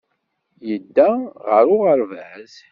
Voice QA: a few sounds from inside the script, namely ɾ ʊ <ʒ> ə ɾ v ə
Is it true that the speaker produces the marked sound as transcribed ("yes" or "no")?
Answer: no